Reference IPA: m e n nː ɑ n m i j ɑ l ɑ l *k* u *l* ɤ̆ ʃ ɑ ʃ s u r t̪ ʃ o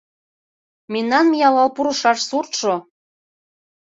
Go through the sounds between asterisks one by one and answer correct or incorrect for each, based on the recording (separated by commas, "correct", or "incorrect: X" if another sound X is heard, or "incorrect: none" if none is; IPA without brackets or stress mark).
incorrect: p, incorrect: ɾ